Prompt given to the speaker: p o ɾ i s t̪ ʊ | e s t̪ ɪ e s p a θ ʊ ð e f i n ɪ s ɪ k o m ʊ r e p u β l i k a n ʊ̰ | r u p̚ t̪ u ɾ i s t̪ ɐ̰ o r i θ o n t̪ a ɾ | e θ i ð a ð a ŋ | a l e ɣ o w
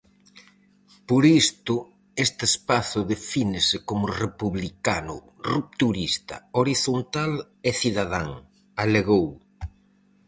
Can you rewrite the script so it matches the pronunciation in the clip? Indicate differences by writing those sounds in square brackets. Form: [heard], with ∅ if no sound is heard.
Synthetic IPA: p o ɾ i s t̪ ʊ | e s t̪ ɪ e s p a θ ʊ ð e f i n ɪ s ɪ k o m ʊ r e p u β l i k a n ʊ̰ | r u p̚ t̪ u ɾ i s t̪ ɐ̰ o [ɾ] i θ o n t̪ a [l] | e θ i ð a ð a ŋ | a l e ɣ o w